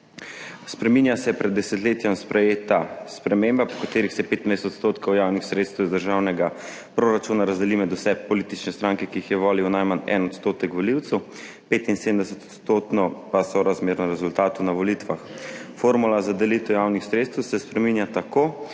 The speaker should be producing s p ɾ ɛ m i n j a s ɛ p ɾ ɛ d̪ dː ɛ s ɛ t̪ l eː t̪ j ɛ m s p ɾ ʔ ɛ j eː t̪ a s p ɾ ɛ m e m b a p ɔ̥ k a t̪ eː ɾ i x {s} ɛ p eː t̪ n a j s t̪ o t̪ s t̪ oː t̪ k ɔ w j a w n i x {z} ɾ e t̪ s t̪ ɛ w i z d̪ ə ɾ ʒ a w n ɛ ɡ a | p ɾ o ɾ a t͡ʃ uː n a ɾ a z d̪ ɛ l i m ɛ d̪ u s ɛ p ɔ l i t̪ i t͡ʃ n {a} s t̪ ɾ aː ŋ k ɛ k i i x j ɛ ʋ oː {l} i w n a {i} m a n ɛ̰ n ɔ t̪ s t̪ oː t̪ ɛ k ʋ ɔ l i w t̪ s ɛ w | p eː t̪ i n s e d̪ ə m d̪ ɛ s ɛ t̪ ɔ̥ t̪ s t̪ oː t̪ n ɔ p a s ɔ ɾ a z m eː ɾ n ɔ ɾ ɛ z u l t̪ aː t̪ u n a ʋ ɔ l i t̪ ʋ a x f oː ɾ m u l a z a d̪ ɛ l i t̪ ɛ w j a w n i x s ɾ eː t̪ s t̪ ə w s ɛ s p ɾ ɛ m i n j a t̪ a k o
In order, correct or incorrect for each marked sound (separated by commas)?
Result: correct, incorrect, incorrect, correct, incorrect